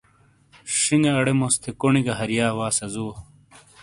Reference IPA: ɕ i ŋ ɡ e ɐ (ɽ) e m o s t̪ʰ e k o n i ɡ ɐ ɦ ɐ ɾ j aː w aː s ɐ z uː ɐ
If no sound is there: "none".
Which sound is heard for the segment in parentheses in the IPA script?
ɽ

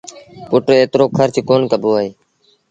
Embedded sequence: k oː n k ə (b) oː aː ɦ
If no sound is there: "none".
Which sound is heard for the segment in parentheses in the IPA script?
b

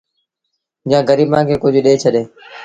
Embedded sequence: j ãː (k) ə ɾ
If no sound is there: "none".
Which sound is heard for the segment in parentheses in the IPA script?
ɡ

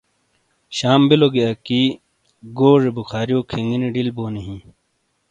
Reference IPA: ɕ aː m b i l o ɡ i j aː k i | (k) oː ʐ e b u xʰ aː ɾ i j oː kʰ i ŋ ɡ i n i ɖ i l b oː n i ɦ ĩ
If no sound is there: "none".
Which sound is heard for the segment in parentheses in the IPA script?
ɡ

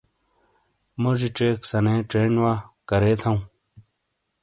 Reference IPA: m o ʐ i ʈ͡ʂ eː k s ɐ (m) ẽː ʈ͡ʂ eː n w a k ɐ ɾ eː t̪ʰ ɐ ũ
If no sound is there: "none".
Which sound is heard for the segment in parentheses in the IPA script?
n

